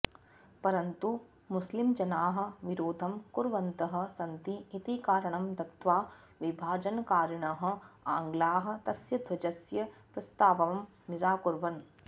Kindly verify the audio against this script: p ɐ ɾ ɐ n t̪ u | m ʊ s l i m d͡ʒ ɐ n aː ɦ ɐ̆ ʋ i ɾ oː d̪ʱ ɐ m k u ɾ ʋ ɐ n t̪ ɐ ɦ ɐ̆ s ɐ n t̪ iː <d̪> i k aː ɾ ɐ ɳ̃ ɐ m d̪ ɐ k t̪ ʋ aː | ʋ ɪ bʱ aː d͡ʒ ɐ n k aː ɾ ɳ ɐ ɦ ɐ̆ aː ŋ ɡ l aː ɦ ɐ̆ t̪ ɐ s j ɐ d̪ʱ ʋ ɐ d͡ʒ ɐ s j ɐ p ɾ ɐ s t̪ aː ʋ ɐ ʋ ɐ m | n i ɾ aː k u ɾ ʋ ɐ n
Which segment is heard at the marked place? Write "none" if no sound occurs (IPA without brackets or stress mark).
t̪